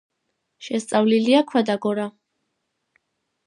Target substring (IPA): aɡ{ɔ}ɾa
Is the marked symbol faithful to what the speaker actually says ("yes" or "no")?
yes